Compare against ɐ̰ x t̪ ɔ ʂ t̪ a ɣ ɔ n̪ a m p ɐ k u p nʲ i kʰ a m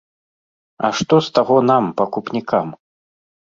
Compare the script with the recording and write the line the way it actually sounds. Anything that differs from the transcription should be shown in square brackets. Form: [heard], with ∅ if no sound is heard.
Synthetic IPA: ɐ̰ [ʂ] t̪ ɔ [s] t̪ a ɣ ɔ n̪ a m p ɐ k u p nʲ i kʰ a m